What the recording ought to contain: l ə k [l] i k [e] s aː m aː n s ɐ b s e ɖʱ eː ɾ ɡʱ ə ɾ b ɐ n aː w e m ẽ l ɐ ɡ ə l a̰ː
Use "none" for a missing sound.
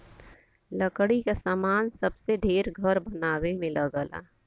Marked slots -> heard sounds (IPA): ɽ, a

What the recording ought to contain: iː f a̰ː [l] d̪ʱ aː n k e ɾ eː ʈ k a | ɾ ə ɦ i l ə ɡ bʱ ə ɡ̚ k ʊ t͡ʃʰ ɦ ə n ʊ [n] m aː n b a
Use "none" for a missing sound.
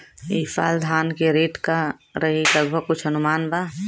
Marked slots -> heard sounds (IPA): l, none

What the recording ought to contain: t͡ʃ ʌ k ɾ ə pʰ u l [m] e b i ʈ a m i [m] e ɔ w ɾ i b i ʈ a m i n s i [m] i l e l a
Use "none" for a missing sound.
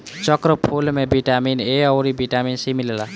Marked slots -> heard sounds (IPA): m, n, m

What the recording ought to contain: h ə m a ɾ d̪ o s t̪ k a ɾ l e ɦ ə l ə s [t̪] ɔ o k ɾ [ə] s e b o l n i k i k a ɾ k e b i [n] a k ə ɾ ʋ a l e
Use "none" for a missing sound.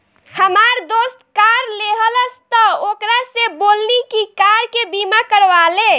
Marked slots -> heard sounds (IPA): t̪, a, m

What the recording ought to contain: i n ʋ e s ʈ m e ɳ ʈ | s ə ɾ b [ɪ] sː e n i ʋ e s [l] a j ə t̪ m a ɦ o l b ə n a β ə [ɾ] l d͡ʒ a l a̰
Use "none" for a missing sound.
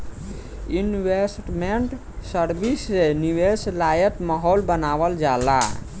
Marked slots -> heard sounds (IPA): i, l, none

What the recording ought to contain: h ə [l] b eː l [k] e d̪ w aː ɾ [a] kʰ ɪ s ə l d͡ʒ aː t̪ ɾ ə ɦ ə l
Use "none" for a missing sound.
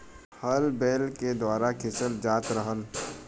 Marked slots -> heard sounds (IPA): l, k, a

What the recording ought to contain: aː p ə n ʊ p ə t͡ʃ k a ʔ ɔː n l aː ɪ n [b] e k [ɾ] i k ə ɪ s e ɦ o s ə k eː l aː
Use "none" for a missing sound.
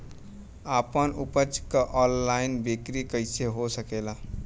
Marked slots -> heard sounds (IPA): b, ɾ

